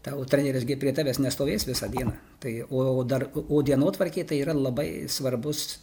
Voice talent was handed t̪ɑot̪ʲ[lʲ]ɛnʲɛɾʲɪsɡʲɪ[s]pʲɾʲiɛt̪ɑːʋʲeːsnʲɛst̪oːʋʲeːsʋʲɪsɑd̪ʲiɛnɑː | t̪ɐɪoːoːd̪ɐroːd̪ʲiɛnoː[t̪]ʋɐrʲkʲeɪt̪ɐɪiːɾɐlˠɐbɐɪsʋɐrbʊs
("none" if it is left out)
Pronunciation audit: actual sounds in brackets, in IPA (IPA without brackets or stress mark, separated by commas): ɾʲ, none, t̪